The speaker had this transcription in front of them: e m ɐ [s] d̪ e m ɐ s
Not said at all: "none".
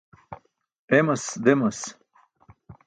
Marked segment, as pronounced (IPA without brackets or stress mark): s